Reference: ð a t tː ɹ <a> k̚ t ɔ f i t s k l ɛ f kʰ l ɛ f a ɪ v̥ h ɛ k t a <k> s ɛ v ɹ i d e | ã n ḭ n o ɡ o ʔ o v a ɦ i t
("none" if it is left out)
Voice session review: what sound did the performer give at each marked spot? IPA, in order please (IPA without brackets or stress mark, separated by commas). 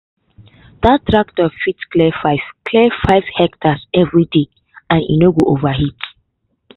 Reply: a, none